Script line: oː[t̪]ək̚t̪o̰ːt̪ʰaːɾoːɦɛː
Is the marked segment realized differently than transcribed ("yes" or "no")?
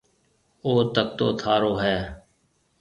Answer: no